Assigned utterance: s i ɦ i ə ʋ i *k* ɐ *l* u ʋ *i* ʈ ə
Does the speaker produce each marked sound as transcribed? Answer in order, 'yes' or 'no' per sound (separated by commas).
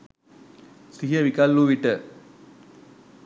yes, no, yes